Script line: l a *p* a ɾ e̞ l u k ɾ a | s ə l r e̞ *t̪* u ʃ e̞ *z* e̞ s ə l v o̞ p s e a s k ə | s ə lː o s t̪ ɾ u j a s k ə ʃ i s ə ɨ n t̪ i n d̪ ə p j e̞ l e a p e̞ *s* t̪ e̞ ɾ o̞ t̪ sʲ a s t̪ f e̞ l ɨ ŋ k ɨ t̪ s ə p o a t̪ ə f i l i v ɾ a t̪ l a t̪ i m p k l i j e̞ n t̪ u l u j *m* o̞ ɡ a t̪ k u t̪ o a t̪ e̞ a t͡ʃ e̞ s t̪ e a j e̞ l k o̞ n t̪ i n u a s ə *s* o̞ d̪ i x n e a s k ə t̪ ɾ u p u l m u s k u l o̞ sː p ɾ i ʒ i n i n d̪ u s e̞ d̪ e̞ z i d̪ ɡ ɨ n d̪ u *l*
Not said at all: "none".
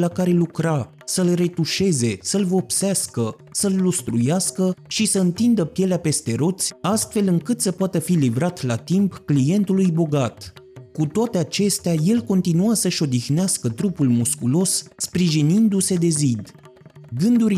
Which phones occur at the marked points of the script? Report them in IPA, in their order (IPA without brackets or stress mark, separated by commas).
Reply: k, t̪, z, s, b, ʃ, ɾ